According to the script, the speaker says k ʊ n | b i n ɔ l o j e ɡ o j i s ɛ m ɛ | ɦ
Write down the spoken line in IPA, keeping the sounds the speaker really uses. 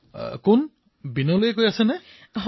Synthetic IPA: k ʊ n | b i n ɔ l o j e k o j a s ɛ n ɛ | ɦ